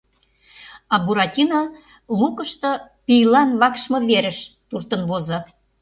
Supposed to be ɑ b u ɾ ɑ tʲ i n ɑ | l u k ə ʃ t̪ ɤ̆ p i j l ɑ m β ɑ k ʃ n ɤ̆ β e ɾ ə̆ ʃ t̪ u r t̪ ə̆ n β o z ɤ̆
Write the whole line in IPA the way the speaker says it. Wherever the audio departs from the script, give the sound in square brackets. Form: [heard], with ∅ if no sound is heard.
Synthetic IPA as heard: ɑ b u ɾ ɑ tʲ i n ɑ | l u k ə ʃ t̪ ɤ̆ p i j l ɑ [n] β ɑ k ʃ [m] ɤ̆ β e ɾ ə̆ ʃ t̪ u r t̪ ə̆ n β o z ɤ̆